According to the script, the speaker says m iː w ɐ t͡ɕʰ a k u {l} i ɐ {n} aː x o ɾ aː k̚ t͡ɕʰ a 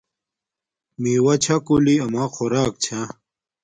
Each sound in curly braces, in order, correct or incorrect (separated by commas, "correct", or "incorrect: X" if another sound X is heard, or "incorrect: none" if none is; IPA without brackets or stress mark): correct, incorrect: m